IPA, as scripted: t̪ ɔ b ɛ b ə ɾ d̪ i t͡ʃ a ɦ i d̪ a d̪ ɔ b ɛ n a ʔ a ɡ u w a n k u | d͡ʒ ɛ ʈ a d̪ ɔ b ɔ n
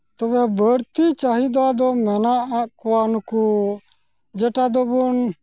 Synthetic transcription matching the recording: t̪ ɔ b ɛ b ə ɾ t̪ i t͡ʃ a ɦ i d̪ a d̪ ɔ m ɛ n a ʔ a k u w a n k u | d͡ʒ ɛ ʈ a d̪ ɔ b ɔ n